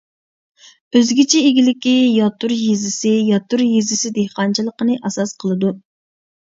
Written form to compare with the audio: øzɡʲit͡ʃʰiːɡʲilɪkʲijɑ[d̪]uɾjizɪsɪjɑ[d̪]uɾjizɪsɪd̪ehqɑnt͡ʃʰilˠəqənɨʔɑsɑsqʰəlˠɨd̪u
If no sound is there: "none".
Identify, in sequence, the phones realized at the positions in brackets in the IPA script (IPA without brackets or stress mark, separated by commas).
t̪, t̪